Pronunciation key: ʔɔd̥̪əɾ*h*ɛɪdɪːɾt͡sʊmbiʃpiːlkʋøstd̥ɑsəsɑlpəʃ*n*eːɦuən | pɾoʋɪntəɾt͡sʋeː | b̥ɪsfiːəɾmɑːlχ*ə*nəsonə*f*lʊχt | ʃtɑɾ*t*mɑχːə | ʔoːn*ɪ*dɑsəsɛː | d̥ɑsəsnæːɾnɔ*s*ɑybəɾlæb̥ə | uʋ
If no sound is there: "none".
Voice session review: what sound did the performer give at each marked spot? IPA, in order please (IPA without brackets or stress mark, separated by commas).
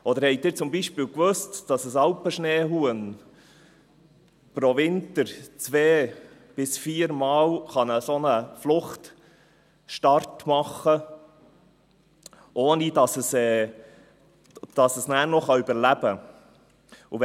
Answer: h, n, ɑ, f, t, i, χ